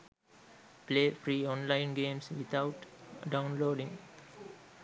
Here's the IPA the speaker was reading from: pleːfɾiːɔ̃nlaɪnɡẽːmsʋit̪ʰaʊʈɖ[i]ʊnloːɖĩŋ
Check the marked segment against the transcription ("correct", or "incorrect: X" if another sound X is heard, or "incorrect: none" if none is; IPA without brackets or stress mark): incorrect: a